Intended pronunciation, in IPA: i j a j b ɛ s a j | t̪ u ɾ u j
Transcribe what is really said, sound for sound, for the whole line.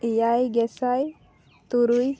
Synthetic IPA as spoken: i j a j ɡ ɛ s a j | t̪ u ɾ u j

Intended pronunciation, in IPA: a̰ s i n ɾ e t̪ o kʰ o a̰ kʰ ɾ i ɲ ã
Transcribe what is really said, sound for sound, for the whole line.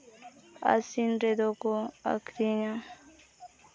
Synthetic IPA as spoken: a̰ s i n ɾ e d̪ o k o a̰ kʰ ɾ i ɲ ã

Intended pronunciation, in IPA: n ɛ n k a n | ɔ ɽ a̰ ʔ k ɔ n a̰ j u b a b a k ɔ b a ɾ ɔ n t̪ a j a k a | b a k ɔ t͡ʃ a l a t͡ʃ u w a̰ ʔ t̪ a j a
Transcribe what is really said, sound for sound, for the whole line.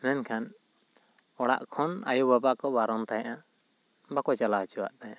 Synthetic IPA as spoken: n ɛ n kʰ a n | ɔ ɽ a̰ ʔ kʰ ɔ n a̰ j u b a b a k ɔ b a ɾ ɔ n t̪ a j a ʔ a | b a k ɔ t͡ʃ a l a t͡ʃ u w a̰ ʔ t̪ a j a

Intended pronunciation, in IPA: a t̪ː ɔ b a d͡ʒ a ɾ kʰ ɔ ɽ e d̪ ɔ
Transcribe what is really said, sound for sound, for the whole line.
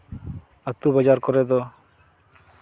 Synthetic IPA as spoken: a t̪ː u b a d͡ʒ a ɾ k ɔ ɾ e d̪ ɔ

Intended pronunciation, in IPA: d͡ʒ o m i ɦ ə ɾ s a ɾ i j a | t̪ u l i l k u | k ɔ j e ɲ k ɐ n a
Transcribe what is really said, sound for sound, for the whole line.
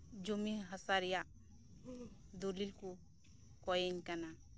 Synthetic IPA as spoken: d͡ʒ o m i ɦ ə s a ɾ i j a | d̪ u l i l k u | k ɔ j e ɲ k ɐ n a

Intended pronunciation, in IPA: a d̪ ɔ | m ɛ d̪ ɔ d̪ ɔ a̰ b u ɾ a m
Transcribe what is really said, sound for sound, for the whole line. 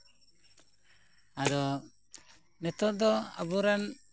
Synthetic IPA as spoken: a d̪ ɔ | n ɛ t̪ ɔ d̪ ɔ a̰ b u ɾ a n

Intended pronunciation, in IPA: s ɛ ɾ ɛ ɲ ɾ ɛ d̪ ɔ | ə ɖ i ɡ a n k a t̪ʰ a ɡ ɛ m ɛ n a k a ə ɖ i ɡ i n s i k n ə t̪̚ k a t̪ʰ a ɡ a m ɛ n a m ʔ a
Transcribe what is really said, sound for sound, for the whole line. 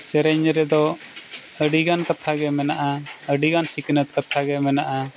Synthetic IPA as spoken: s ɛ ɾ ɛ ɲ ɾ ɛ d̪ ɔ | ə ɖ i ɡ a n k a t̪ʰ a ɡ ɛ m ɛ n a ʔ a ə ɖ i ɡ a n s i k n ə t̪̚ k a t̪ʰ a ɡ ɛ m ɛ n a ʔ a

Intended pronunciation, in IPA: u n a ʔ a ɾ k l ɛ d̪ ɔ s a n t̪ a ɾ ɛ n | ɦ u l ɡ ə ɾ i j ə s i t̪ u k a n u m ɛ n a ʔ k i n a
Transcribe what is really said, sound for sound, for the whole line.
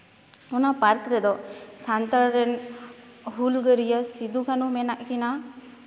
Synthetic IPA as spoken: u n a p a ɾ k ɾ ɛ d̪ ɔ s a n t̪ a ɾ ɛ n | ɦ u l ɡ ə ɾ i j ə s i d̪ u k a n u m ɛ n a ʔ k i n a

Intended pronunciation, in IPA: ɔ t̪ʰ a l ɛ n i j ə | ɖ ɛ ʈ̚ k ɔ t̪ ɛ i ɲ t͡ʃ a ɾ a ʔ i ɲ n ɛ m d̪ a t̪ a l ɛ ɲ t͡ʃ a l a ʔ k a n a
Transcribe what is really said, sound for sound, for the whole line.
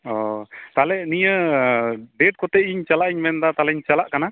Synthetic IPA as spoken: ɔ t̪ a l ɛ n i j ə | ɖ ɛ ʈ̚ k ɔ t̪ ɛ i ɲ t͡ʃ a l a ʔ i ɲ m ɛ n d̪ a t̪ a l ɛ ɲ t͡ʃ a l a ʔ k a n a

